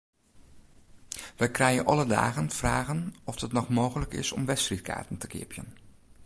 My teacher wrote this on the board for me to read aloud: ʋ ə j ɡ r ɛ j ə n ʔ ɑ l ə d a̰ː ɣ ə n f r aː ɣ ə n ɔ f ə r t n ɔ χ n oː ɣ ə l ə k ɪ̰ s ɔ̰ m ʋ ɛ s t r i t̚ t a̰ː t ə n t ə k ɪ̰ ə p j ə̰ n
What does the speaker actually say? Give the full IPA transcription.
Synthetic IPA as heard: ʋ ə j k r ɛ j ə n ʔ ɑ l ə d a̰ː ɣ ə n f r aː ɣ ə n ɔ f ə t n ɔ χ m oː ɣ ə l ə k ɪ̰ s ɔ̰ m ʋ ɛ s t r i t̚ k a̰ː t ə n t ə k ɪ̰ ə p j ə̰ n